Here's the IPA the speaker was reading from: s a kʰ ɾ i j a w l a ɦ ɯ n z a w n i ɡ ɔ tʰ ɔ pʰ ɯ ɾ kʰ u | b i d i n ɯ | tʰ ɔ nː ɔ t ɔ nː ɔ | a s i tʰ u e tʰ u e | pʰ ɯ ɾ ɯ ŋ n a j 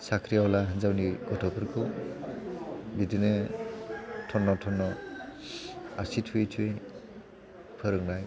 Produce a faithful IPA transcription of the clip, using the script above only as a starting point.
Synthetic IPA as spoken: s a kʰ ɾ i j a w l a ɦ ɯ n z a w n i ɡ ɔ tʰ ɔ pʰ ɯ ɾ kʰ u | b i d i n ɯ | tʰ ɔ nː ɔ tʰ ɔ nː ɔ | a s i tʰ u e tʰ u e | pʰ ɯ ɾ ɯ ŋ n a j